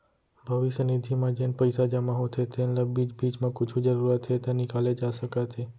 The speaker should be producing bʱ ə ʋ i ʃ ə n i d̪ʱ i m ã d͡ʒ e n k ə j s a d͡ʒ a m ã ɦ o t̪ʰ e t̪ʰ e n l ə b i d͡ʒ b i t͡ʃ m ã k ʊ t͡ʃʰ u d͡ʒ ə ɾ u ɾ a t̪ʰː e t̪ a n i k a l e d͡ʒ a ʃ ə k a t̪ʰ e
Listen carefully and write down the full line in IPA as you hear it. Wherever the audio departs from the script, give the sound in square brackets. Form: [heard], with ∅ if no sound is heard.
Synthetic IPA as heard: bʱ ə ʋ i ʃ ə n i d̪ʱ i m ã d͡ʒ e n [p] ə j s a d͡ʒ a m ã ɦ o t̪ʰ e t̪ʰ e n l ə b i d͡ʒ b i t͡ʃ m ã k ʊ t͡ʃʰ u d͡ʒ ə ɾ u ɾ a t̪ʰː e t̪ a n i k a l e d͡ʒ a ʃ ə k a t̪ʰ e